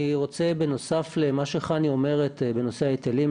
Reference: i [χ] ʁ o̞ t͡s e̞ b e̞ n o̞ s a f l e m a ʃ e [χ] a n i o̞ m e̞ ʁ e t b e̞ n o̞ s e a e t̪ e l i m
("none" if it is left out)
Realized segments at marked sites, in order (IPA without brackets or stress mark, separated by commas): none, χ